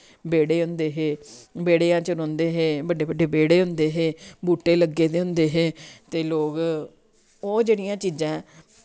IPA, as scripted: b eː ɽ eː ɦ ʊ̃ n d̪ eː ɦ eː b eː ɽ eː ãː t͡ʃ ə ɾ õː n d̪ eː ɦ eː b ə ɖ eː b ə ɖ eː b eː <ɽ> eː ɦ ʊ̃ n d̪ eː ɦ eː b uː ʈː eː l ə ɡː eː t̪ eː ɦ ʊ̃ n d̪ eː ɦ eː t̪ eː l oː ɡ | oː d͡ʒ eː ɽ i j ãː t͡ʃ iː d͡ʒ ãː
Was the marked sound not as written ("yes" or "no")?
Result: no